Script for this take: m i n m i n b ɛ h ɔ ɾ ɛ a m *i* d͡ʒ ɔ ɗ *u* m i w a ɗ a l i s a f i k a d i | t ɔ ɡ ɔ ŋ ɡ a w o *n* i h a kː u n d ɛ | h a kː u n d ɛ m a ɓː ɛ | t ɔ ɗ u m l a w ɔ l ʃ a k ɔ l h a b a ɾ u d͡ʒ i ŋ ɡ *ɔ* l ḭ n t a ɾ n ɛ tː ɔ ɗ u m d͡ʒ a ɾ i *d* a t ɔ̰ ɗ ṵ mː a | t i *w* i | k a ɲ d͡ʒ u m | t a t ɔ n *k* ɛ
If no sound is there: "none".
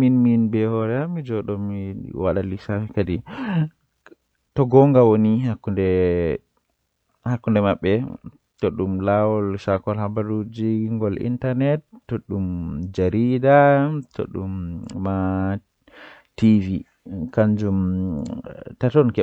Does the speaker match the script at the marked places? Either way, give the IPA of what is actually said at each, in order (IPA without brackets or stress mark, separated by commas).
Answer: i, ɔ, n, ɔ, d, v, k